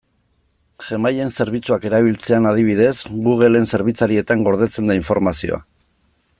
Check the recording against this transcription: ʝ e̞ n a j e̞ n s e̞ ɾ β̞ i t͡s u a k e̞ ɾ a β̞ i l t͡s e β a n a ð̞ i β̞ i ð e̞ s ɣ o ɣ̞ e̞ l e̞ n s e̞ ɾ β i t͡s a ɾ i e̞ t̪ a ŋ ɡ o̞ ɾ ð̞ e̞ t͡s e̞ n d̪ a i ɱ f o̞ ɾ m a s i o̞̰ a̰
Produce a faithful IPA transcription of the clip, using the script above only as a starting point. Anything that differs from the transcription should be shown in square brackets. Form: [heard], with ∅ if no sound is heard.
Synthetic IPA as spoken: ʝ e̞ [m] a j e̞ n s e̞ ɾ β̞ i t͡s u a k e̞ ɾ a β̞ i l t͡s e [∅] a n a ð̞ i β̞ i ð e̞ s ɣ [u] ɣ̞ e̞ l e̞ n s e̞ ɾ β i t͡s a ɾ i e̞ t̪ a ŋ ɡ o̞ ɾ ð̞ e̞ t͡s e̞ n d̪ a i ɱ f o̞ ɾ m a s i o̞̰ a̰